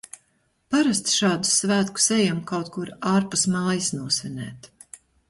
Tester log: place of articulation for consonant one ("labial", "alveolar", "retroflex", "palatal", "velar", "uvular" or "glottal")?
labial